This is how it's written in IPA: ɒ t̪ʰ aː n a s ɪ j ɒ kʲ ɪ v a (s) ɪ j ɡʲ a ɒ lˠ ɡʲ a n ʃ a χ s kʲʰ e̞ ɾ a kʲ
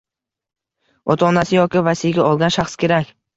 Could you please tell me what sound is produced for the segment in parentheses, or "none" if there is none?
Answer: s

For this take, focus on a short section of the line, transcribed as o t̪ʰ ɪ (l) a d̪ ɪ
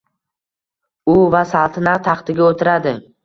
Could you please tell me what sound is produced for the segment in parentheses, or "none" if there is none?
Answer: ɾ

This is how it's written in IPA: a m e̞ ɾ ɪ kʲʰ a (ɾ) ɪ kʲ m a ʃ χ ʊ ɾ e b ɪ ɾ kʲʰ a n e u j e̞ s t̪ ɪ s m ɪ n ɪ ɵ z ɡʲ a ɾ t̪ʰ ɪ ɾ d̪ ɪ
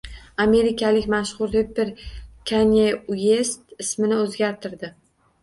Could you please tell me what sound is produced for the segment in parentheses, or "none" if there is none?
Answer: l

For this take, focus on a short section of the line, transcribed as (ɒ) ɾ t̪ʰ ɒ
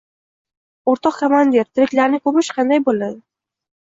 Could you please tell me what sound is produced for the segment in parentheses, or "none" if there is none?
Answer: o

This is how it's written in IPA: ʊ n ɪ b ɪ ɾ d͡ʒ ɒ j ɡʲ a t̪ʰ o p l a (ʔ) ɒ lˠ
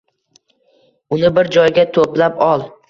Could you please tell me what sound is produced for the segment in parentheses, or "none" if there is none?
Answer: p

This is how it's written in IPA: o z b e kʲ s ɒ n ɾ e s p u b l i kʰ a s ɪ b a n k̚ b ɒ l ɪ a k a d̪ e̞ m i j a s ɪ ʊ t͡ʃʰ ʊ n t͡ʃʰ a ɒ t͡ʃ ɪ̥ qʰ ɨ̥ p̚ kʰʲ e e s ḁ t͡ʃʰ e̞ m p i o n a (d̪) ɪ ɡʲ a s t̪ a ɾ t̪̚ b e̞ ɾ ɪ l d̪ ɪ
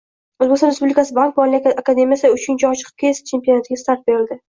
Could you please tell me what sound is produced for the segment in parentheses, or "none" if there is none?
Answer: t̪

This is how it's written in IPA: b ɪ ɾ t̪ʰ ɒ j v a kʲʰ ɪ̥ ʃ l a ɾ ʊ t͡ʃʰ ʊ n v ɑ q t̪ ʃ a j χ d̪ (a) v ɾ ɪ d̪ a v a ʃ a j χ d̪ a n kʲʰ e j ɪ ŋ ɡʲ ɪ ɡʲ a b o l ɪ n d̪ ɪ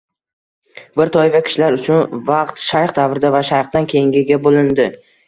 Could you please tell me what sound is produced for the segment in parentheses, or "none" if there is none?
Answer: a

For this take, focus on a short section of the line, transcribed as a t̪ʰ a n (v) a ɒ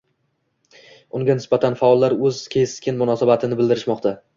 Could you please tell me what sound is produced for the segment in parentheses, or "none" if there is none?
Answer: f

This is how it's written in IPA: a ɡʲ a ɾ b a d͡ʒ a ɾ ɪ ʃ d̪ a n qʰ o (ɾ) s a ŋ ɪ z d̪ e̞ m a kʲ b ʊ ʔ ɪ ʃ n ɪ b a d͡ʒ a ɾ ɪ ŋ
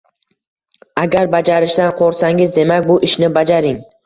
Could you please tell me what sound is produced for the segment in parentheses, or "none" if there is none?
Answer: ɾ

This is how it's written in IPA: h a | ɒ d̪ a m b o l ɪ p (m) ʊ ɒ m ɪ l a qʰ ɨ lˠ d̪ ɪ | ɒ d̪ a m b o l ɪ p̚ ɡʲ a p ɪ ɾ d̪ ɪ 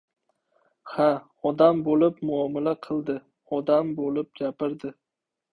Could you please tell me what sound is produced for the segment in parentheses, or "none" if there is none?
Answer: m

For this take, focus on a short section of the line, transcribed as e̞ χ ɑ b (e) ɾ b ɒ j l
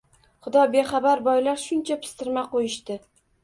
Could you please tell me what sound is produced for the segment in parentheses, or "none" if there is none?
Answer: a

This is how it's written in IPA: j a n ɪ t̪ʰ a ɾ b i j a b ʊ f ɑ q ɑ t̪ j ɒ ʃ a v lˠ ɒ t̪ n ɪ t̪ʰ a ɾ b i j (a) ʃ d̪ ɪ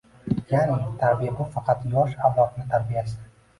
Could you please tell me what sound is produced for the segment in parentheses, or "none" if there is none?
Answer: a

